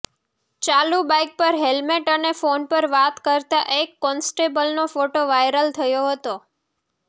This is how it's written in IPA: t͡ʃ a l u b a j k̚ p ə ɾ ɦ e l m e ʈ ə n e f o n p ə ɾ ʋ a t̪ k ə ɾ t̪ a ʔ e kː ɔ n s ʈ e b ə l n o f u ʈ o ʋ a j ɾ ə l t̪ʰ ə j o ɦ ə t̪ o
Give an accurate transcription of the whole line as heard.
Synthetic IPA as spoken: t͡ʃ a l u b a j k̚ p ə ɾ ɦ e l m e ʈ ə n e f o n p ə ɾ ʋ a t̪ k ə ɾ t̪ a ʔ e kː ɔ n s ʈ e b ə l n o f o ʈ o ʋ a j ɾ ə l t̪ʰ ə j o ɦ ə t̪ o

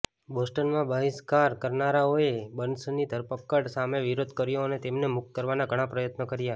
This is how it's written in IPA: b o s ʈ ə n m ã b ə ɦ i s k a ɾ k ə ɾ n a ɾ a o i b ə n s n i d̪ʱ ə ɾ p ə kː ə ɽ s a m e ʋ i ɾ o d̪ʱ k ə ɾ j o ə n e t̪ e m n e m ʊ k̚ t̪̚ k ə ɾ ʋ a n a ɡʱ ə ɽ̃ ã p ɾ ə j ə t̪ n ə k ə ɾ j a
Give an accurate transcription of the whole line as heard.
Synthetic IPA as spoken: b o s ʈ ə n m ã b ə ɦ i s k a ɾ k ə ɾ n a ɾ a o e b ə n s n i d̪ʱ ə ɾ p ə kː ə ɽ s a m e ʋ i ɾ o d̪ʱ k ə ɾ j o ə n e t̪ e m n e m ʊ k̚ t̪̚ k ə ɾ ʋ a n a ɡʱ ə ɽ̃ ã p ɾ ə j ə t̪ n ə k ə ɾ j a

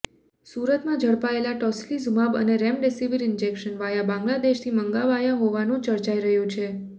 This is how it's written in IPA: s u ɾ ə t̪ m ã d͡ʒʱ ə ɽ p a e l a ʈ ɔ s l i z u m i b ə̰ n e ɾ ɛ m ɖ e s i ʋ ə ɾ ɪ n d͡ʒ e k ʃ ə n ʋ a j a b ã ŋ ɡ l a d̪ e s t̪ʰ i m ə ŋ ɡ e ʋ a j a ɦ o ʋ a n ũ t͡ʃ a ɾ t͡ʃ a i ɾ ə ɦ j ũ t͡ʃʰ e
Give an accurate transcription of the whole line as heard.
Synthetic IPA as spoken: s u ɾ ə t̪ m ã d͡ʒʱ ə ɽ p a e l a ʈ ɔ s l i z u m a b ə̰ n e ɾ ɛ m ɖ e s i ʋ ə ɾ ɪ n d͡ʒ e k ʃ ə n ʋ a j a b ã ŋ ɡ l a d̪ e ʃ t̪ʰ i m ə ŋ ɡ a ʋ a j a ɦ o ʋ a n ũ t͡ʃ ə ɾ t͡ʃ a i ɾ ə ɦ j ũ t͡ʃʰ e

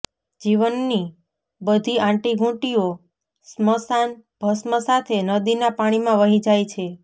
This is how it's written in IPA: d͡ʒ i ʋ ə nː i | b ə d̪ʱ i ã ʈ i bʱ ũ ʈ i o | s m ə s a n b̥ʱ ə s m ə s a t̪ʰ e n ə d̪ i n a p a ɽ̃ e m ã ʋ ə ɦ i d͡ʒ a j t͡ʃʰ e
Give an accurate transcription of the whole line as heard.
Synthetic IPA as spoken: d͡ʒ i ʋ ə nː i | b ə d̪ʱ i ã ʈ i ɡʱ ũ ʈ i o | s m ə s a n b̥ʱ ə s m ə s a t̪ʰ e n ə d̪ i n a p a ɽ̃ i m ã ʋ ə ɦ i d͡ʒ a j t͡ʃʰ e

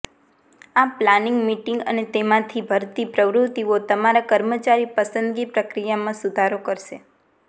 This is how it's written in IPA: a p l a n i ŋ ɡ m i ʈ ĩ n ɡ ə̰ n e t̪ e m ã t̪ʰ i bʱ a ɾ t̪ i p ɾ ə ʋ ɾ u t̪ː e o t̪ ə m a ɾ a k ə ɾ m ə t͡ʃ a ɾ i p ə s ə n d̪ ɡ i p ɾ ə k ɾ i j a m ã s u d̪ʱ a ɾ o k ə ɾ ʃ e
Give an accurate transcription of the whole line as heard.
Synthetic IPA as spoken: a p l a n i ŋ ɡ m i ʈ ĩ ŋ ɡ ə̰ n e t̪ e m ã t̪ʰ i bʱ ə ɾ t̪ i p ɾ ə ʋ ɾ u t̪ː i o t̪ ə m a ɾ a k ə ɾ m ə t͡ʃ a ɾ i p ə s ə n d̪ ɡ i p ɾ ə k ɾ i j a m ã s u d̪ʱ a ɾ o k ə ɾ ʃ e

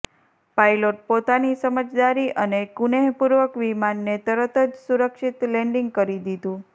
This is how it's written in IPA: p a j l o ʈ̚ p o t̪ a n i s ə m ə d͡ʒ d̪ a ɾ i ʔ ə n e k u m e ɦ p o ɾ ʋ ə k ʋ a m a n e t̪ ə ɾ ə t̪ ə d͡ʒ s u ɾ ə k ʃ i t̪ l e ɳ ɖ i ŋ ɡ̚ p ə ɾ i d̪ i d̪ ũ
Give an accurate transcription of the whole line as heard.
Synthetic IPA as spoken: p a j l o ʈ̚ p o t̪ a n i s ə m ə d͡ʒ d̪ a ɾ i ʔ ə n e k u n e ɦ p u ɾ ʋ ə k ʋ i m a nː e t̪ ə ɾ ə t̪ ə d͡ʒ s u ɾ ə k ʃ i t̪ l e ɳ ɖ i ŋ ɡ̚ k ə ɾ i d̪ i d̪ ũ

